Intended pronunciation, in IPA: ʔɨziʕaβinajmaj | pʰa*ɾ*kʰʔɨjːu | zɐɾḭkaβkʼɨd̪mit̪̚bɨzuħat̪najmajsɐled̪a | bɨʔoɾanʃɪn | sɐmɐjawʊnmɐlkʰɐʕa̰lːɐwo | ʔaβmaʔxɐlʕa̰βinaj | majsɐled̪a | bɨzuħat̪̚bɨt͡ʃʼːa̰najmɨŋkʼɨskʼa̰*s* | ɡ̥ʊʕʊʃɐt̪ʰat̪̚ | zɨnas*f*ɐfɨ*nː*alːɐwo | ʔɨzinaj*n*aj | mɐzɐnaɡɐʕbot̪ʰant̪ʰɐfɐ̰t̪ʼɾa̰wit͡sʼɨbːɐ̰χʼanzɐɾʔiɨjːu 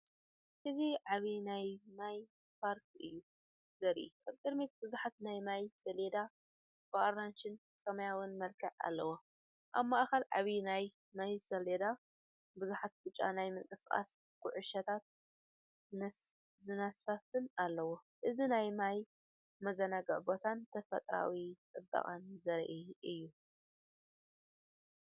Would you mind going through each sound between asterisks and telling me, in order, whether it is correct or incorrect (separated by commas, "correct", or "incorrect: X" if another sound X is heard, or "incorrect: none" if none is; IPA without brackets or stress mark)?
correct, correct, correct, incorrect: n, incorrect: m